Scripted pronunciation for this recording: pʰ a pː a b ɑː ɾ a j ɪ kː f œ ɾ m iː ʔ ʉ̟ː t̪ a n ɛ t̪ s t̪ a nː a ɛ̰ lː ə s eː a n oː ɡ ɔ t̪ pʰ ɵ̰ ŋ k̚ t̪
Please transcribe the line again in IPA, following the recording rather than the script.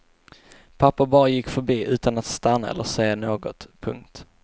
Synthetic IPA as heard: pʰ a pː a b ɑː ɾ a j ɪ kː f œ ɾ b iː ʔ ʉ̟ː t̪ a n a t̪ s t̪ a nː a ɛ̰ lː ə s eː a n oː ɡ ɔ t̪ pʰ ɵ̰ ŋ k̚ t̪